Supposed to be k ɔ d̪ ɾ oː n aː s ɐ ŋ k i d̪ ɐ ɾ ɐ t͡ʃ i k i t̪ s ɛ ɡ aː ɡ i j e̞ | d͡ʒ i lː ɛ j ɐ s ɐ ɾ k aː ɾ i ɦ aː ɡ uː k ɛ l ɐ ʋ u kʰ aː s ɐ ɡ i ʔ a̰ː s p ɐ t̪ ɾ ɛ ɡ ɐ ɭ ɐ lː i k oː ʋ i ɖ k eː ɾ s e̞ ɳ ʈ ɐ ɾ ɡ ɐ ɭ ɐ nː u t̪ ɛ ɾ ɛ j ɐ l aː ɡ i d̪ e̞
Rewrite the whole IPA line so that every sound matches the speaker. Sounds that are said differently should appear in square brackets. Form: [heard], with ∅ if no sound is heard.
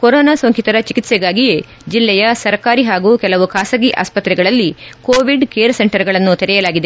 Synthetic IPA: k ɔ [∅] ɾ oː n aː s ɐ ŋ k i [t̪] ɐ ɾ ɐ t͡ʃ i k i t̪ s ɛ ɡ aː ɡ i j e̞ | d͡ʒ i lː ɛ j ɐ s ɐ ɾ k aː ɾ i ɦ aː ɡ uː k ɛ l ɐ ʋ u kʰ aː s ɐ ɡ i ʔ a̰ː s p ɐ t̪ ɾ ɛ ɡ ɐ ɭ ɐ lː i k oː ʋ i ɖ k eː ɾ s e̞ ɳ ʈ ɐ ɾ ɡ ɐ ɭ ɐ nː u t̪ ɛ ɾ ɛ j ɐ l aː ɡ i d̪ e̞

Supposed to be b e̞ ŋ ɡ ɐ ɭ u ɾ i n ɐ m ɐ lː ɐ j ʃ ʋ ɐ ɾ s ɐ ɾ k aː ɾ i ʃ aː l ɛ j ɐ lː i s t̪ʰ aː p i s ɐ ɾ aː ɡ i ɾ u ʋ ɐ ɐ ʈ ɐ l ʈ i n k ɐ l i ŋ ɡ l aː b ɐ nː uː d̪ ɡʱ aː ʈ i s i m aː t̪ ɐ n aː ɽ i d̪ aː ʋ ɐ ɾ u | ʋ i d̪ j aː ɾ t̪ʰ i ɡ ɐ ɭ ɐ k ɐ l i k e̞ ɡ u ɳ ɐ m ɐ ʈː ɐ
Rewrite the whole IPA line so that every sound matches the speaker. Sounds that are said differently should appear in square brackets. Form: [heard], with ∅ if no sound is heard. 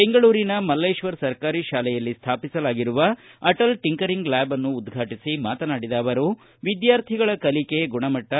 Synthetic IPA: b e̞ ŋ ɡ ɐ ɭ [uː] ɾ i n ɐ m ɐ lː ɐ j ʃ ʋ ɐ ɾ s ɐ ɾ k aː ɾ i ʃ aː l ɛ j ɐ lː i s t̪ʰ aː p i s ɐ [l] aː ɡ i ɾ u ʋ ɐ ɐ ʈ ɐ l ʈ i [ŋ] k ɐ [ɾ] i ŋ ɡ l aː b ɐ nː uː d̪ ɡʱ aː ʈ i s i m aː t̪ ɐ n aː ɽ i d̪ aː ʋ ɐ ɾ u | ʋ i d̪ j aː ɾ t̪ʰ i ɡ ɐ ɭ ɐ k ɐ l i k e̞ ɡ u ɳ ɐ m ɐ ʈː ɐ

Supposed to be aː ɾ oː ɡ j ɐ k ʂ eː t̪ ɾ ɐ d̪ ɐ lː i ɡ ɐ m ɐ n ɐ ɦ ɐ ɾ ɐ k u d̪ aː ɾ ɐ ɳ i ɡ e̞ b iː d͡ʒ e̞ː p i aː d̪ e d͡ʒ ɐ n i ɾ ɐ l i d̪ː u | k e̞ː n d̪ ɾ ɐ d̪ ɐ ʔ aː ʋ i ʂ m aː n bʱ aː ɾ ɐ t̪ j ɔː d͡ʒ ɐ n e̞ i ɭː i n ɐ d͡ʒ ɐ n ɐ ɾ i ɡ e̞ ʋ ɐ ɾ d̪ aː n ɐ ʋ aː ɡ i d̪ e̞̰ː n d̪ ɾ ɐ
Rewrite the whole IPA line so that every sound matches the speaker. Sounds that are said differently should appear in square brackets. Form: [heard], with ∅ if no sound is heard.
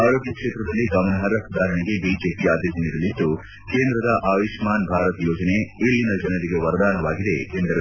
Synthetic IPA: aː ɾ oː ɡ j ɐ k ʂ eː t̪ ɾ ɐ d̪ ɐ lː i ɡ ɐ m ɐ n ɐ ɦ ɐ ɾ ɐ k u d̪ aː ɾ ɐ ɳ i ɡ e̞ b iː d͡ʒ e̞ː p i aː d̪ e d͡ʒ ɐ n i ɾ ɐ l i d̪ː u | k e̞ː n d̪ ɾ ɐ d̪ ɐ ʔ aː ʋ i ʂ m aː n bʱ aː ɾ ɐ t̪ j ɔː d͡ʒ ɐ n e̞ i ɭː i n ɐ d͡ʒ ɐ n ɐ ɾ i ɡ e̞ ʋ ɐ ɾ d̪ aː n ɐ ʋ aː ɡ i d̪ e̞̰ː n d̪ ɾ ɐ

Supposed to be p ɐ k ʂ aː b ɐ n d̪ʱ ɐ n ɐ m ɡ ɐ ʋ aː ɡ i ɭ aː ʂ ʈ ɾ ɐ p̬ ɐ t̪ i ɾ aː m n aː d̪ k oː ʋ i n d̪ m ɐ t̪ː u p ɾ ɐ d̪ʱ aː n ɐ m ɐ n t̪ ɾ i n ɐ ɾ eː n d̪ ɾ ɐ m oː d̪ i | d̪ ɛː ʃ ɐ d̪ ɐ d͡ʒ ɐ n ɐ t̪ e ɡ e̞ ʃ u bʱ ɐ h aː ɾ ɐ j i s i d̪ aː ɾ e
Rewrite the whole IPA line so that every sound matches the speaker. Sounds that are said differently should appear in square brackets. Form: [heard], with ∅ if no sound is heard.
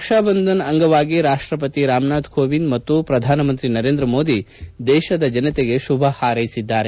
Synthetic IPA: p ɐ k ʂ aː b ɐ n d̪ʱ ɐ n ɐ [ŋ] ɡ ɐ ʋ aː ɡ i [ɾ] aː ʂ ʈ ɾ ɐ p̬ ɐ t̪ i ɾ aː m n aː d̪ k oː ʋ i n d̪ m ɐ t̪ː u p ɾ ɐ d̪ʱ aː n ɐ m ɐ n t̪ ɾ i n ɐ ɾ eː n d̪ ɾ ɐ m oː d̪ i | d̪ ɛː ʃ ɐ d̪ ɐ d͡ʒ ɐ n ɐ t̪ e ɡ e̞ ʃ u bʱ ɐ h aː ɾ ɐ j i s i [d̪ː] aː ɾ e

